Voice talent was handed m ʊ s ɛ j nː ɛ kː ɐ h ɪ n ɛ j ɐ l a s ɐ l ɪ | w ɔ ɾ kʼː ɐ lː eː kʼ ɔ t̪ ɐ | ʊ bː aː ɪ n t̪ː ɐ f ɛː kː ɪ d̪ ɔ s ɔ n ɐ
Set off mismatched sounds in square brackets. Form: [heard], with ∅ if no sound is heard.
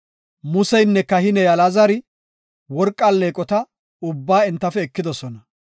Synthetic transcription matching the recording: m ʊ s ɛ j nː ɛ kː ɐ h ɪ n ɛ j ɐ l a [z] ɐ [ɾ] ɪ | w ɔ ɾ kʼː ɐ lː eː kʼ ɔ t̪ ɐ | ʊ bː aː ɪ n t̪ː ɐ f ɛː kː ɪ d̪ ɔ s ɔ n ɐ